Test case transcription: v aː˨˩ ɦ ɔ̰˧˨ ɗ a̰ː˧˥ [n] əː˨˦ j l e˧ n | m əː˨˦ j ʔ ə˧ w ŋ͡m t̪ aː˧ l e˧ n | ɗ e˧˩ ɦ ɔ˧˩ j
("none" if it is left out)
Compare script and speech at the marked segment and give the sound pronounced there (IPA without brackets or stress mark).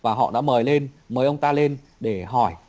m